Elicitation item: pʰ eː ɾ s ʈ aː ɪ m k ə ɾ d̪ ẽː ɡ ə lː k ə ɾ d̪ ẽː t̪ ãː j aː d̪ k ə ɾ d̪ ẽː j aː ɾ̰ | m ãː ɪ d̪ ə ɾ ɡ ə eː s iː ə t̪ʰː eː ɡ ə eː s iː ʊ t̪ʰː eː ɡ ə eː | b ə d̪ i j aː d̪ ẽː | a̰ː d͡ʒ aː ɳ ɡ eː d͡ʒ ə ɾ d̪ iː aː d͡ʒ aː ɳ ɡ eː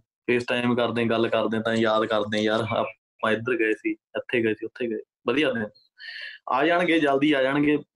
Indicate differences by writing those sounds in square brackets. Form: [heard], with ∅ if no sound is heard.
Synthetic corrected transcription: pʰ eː [∅] s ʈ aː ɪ m k ə ɾ d̪ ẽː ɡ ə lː k ə ɾ d̪ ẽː t̪ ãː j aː d̪ k ə ɾ d̪ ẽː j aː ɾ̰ | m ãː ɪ d̪ ə ɾ ɡ ə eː s iː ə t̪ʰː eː ɡ ə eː s iː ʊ t̪ʰː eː ɡ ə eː | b ə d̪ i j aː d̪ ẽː | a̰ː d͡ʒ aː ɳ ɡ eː d͡ʒ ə [l] d̪ iː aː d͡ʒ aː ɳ ɡ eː